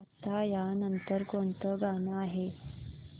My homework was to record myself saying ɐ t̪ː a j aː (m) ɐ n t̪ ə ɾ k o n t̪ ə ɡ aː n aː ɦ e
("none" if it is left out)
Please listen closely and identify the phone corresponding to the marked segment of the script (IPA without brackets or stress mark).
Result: n